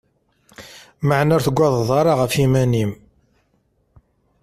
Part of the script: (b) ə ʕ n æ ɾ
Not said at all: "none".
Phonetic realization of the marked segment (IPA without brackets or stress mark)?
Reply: m